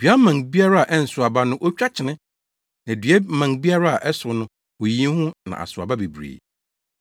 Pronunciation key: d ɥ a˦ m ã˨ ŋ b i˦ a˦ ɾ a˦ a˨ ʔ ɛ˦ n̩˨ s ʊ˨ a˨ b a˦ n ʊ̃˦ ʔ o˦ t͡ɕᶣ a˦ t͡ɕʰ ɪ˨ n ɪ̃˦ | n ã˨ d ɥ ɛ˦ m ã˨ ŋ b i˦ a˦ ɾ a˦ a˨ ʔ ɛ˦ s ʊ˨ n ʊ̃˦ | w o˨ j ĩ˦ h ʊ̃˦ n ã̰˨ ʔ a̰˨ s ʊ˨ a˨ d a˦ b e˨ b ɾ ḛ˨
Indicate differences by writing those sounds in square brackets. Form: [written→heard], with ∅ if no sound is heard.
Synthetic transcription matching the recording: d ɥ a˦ m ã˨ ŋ b i˦ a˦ ɾ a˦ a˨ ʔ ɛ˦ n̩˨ s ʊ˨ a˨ b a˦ n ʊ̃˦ ʔ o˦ t͡ɕᶣ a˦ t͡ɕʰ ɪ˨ n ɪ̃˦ | n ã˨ d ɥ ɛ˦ m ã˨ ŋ b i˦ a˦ ɾ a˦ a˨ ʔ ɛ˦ s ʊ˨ n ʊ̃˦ | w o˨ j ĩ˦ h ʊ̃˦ n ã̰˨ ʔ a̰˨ s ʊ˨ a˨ [d→b] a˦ b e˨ b ɾ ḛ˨